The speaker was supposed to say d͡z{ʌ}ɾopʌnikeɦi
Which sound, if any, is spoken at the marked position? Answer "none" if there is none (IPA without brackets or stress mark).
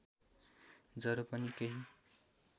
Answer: ʌ